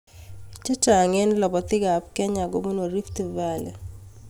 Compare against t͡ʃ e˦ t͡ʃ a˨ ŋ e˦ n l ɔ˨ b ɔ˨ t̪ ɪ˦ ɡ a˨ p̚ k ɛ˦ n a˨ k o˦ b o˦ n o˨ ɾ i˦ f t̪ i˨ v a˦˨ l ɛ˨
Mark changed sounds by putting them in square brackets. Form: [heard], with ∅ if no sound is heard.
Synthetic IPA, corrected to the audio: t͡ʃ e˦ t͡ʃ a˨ ŋ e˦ n l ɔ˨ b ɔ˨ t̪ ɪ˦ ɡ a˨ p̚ k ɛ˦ [ɲ] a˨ [ɡ] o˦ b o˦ n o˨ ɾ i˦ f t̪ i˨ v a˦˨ l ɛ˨